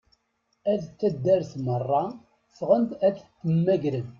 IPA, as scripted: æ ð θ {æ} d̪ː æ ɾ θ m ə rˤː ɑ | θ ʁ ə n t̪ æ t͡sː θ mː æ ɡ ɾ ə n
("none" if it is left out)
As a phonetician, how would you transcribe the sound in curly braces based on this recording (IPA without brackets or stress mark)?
æ